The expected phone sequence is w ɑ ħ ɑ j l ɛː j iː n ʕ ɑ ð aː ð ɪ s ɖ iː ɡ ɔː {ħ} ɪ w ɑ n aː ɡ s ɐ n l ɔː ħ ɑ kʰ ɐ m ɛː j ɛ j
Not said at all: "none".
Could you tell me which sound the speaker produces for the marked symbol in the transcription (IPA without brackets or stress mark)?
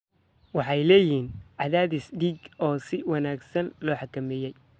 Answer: s